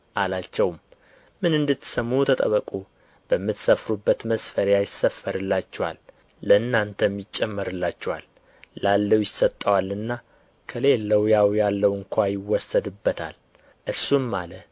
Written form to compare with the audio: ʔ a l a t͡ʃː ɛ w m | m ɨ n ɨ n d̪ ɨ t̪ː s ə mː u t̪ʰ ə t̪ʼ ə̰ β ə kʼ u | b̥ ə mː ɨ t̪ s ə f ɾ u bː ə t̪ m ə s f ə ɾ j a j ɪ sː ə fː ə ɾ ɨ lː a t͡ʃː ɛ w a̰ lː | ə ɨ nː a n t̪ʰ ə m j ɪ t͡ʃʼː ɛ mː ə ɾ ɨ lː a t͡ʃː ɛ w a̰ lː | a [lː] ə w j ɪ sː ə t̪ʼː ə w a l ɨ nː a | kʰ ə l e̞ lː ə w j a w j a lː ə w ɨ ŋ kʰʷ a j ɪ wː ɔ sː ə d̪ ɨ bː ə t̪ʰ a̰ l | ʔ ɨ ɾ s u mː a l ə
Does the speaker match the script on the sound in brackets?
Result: yes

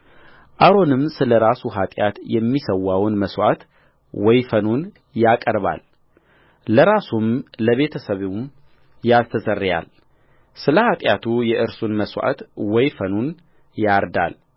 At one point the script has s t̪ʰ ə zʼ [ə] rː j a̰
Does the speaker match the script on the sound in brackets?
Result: yes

